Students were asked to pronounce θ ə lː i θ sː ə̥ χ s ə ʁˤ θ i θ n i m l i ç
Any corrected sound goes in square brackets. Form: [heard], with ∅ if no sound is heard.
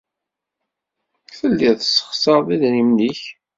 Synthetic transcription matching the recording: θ ə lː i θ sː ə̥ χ s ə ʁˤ [ð] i [ð] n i m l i ç